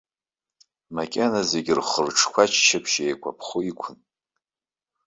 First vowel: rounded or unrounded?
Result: unrounded